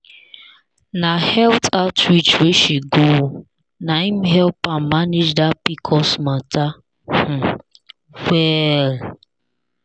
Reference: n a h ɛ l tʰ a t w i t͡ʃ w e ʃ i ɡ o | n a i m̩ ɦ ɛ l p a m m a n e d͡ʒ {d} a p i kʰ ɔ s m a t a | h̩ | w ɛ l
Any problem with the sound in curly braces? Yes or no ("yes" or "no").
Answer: no